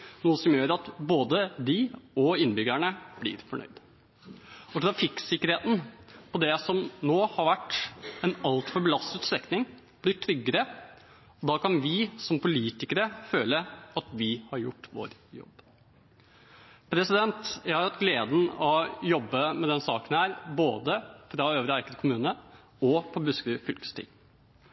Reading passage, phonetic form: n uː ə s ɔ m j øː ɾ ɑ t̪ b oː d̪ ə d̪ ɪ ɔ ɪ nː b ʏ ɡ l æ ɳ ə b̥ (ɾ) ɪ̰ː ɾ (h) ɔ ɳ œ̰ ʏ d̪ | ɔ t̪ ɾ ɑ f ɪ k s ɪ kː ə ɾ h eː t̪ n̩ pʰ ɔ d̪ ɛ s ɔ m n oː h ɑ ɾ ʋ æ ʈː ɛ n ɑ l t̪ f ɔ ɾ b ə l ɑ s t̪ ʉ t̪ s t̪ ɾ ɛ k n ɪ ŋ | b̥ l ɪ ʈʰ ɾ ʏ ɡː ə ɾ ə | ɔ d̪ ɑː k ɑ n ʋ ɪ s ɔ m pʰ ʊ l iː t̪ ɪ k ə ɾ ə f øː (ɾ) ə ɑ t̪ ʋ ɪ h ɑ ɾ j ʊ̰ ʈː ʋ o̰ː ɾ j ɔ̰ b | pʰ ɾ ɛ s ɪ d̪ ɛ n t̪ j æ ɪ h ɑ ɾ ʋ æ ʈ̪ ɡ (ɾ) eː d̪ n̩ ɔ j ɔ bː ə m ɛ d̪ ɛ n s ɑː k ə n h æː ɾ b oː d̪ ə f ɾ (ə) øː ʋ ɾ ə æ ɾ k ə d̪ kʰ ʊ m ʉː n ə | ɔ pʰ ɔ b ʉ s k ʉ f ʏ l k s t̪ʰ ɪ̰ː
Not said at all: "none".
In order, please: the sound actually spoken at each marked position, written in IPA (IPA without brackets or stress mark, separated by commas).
l, f, l, l, ɑ